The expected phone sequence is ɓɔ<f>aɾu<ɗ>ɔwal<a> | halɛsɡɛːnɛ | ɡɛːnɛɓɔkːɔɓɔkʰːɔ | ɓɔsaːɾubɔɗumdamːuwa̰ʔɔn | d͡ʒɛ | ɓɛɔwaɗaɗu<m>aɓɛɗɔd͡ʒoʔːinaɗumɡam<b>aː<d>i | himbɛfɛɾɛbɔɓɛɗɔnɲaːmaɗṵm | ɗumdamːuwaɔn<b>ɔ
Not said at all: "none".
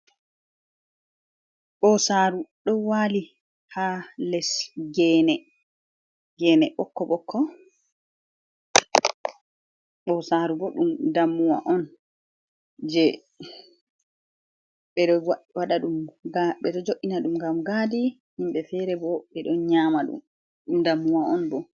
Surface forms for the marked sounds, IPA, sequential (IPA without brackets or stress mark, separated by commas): s, ɗ, i, m, ɡ, d, b